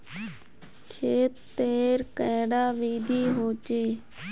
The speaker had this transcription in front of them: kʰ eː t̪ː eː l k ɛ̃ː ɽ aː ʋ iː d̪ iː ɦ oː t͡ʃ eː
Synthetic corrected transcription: kʰ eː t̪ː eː ɾ k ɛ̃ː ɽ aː ʋ iː d̪ iː ɦ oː t͡ʃ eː